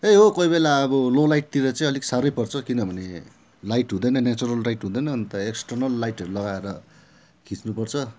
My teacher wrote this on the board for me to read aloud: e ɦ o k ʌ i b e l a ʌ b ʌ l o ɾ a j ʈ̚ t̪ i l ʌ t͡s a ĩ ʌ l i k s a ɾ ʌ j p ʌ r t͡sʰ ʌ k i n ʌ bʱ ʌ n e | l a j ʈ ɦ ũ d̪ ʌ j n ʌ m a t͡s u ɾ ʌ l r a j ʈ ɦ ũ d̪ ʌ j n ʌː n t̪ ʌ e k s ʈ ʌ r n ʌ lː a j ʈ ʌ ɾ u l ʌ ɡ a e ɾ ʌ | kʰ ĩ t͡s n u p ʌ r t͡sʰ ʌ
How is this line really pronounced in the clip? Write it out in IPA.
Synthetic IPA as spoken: e ɦ o k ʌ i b e l a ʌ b ʌ l o l a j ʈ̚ t̪ i ɾ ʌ t͡s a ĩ ʌ l i k s a ɾ ʌ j p ʌ r t͡sʰ ʌ k i n ʌ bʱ ʌ n e | l a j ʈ ɦ ũ d̪ ʌ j n ʌ n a t͡s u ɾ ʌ l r a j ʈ ɦ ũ d̪ ʌ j n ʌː n t̪ ʌ e k s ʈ ʌ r n ʌ lː a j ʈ ʌ ɾ u l ʌ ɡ a e ɾ ʌ | kʰ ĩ t͡s n u p ʌ r t͡sʰ ʌ